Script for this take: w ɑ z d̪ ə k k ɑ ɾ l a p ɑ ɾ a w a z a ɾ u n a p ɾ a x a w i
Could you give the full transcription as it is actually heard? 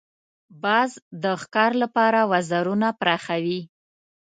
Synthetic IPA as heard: b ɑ z d̪ ə x k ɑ ɾ l a p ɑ ɾ a w a z a ɾ u n a p ɾ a x a w i